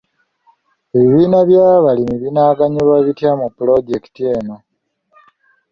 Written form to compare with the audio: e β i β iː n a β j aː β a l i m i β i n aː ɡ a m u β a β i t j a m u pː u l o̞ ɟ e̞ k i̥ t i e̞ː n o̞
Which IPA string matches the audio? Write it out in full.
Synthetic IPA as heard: e β i β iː n a β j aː β a l i m i β i n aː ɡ a ɲ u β a β i t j a m u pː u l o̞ ɟ e̞ k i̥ t i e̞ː n o̞